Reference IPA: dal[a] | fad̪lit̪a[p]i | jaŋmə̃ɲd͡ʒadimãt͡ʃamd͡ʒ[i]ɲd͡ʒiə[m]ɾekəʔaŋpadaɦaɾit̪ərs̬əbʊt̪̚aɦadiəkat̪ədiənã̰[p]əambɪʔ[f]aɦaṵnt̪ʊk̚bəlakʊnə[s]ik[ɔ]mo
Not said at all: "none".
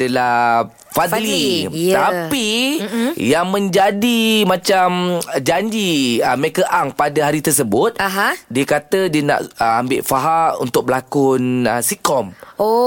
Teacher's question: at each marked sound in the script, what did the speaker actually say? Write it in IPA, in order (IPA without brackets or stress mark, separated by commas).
a, p, a, m, ʔ, f, s, ɔ